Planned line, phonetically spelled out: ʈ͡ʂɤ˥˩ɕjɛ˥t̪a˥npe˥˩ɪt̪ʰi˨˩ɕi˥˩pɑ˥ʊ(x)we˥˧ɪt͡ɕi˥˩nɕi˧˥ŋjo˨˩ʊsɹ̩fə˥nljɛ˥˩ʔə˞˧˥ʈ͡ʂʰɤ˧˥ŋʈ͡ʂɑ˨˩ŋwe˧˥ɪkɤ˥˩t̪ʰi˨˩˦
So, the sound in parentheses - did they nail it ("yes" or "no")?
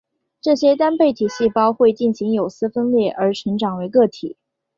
yes